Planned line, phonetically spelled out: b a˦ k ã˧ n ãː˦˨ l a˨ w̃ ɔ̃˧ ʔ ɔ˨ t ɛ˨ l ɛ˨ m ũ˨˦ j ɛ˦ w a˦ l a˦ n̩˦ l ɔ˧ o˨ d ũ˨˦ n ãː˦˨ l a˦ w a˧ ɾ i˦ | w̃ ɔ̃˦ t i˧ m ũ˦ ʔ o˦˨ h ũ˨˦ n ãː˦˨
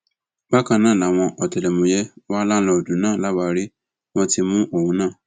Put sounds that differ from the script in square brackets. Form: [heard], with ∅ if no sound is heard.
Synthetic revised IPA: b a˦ k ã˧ n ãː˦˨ l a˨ w̃ ɔ̃˧ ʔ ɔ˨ t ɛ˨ l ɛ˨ m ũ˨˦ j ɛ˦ w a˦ l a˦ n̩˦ l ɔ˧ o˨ d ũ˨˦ n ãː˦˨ l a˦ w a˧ ɾ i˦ | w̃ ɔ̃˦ t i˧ m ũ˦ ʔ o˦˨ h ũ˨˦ n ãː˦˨